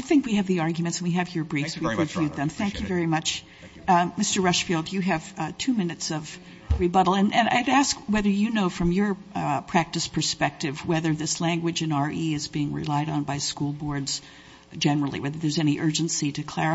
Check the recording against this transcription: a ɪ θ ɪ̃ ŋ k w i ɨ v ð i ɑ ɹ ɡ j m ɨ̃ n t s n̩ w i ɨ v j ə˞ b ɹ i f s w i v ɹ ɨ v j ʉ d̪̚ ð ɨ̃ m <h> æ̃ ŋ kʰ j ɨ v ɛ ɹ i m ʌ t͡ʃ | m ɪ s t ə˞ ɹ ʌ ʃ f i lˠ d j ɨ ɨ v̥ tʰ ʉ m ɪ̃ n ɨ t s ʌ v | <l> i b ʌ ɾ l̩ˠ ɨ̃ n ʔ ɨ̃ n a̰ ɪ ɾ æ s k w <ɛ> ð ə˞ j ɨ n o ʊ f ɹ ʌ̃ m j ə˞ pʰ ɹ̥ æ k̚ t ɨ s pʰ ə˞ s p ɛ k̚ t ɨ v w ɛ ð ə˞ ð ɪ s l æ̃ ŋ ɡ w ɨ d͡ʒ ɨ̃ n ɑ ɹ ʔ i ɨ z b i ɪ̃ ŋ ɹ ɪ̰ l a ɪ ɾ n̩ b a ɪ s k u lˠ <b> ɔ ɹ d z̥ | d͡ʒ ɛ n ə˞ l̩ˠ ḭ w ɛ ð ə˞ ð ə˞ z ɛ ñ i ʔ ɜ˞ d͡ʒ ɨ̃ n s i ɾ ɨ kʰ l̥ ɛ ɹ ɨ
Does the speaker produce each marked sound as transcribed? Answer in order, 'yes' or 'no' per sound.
no, no, yes, yes

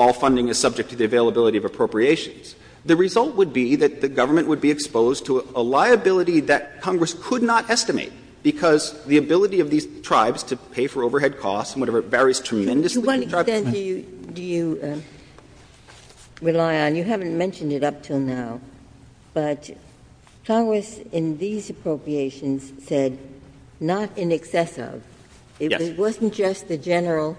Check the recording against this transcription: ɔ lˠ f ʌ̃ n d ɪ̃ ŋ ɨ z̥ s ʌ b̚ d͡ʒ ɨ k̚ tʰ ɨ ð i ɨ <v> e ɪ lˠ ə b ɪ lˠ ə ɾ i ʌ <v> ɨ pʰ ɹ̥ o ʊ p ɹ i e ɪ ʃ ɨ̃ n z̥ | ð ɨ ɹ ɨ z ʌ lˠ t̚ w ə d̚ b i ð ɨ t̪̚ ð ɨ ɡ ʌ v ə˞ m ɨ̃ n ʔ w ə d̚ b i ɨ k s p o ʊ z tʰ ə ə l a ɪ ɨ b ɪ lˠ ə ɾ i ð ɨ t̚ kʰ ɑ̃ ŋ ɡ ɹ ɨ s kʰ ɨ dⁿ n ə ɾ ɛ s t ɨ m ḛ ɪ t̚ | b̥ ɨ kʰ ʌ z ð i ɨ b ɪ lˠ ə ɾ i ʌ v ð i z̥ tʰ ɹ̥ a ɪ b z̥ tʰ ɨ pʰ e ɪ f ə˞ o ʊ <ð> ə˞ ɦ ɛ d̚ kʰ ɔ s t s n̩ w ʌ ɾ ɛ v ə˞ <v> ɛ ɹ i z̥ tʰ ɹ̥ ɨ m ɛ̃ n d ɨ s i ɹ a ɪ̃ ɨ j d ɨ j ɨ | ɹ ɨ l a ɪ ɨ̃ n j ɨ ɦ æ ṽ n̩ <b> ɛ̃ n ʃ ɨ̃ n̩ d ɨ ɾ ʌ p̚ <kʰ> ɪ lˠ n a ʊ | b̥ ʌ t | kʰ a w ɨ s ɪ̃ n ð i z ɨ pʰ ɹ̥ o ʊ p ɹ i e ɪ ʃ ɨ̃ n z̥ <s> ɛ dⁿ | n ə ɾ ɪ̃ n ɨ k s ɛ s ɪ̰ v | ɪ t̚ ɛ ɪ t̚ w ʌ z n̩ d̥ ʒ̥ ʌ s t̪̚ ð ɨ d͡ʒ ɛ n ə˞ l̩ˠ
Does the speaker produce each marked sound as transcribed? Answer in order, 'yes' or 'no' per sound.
yes, yes, no, yes, no, no, yes

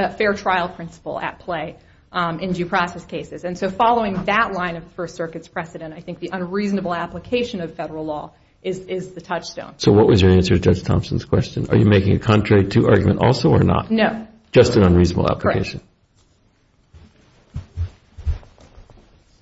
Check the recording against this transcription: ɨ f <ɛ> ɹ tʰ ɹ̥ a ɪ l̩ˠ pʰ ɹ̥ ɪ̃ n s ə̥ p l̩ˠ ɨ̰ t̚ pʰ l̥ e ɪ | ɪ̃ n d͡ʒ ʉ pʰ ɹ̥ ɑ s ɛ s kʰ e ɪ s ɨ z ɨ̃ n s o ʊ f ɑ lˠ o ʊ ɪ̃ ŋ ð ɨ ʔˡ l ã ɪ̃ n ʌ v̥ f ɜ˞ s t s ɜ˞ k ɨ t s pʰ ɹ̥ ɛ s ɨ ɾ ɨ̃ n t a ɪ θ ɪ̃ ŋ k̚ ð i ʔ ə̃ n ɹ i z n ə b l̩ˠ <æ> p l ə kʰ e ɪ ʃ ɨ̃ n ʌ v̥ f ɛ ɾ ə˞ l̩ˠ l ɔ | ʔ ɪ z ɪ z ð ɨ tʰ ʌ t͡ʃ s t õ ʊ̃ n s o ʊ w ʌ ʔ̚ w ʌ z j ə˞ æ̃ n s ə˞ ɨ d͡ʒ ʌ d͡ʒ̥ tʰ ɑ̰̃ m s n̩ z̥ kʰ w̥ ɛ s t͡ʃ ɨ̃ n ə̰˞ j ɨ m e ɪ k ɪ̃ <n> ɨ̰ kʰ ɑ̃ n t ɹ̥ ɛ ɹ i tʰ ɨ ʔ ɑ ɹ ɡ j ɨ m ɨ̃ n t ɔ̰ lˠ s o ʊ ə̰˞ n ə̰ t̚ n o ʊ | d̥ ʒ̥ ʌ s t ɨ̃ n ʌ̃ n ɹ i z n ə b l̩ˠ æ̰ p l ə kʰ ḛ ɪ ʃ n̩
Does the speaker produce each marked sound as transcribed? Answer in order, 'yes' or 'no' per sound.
yes, yes, no

